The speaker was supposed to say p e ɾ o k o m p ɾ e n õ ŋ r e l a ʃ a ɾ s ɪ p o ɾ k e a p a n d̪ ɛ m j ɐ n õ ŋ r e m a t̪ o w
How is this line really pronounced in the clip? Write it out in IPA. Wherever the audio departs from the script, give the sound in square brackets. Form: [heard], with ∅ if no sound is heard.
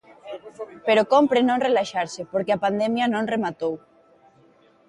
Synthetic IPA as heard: p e ɾ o k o m p ɾ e n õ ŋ r e l a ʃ a ɾ s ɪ p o ɾ k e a p a n d̪ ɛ m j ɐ n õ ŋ r e m a t̪ o w